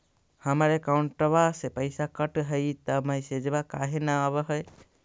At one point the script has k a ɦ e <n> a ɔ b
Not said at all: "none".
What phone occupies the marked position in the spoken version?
n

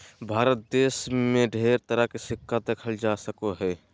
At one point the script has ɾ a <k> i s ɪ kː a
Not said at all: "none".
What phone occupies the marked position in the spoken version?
k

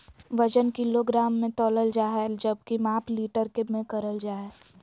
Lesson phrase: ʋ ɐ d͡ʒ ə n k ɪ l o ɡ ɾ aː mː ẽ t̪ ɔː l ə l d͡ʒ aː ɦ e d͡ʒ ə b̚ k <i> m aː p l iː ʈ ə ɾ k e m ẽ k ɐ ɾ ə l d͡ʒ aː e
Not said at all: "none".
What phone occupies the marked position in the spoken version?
i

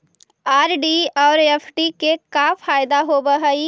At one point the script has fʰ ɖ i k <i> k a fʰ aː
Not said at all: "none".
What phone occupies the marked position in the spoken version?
e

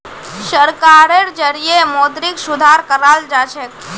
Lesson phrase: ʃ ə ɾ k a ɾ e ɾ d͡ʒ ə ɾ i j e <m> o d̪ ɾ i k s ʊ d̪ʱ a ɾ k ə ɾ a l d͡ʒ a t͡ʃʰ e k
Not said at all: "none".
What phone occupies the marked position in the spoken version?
m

